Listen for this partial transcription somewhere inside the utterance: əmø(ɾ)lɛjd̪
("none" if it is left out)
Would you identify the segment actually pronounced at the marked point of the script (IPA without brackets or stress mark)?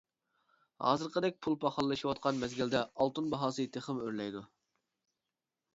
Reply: ɾ